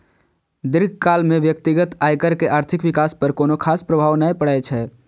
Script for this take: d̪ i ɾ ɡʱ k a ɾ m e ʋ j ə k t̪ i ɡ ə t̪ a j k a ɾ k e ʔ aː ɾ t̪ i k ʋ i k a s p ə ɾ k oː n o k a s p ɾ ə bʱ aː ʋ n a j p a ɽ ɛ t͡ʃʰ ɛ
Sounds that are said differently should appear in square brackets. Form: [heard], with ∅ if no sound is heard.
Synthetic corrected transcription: d̪ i ɾ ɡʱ k a [l] m e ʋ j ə k t̪ i ɡ ə t̪ a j k [ə] ɾ k e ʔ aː ɾ [t̪ʰ] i k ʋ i k a s p ə ɾ k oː n o [kʰ] a s p ɾ ə bʱ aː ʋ n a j p [ə] ɽ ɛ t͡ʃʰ ɛ